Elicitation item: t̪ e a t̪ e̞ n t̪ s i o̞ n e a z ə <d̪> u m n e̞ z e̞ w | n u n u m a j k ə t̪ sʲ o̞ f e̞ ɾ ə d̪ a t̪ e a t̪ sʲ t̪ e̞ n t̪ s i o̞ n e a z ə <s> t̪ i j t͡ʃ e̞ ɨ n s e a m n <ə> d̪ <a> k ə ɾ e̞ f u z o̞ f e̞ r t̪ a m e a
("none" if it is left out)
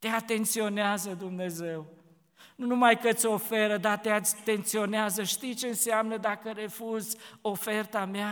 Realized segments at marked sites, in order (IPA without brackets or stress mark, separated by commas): d̪, ʃ, ə, a